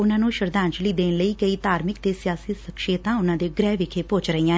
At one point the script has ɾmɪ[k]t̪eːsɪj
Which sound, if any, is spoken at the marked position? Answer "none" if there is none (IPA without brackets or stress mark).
k